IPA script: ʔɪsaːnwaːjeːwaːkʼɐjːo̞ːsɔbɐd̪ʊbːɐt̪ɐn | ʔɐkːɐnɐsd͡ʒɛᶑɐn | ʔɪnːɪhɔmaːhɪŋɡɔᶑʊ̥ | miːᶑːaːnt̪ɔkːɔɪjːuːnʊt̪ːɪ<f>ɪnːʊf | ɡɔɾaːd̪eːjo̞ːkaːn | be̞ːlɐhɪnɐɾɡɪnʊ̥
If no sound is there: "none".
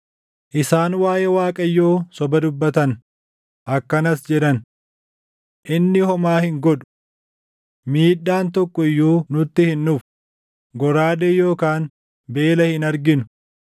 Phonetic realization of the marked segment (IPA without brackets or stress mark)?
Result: h